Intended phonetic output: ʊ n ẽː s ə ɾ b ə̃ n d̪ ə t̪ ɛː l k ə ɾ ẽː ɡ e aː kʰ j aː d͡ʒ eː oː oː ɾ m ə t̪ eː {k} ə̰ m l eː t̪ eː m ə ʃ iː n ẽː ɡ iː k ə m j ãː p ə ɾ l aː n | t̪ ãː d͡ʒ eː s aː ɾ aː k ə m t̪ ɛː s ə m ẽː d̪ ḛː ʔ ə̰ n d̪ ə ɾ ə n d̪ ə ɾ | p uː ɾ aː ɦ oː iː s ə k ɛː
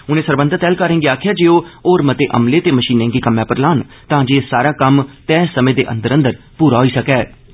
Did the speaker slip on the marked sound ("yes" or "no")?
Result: yes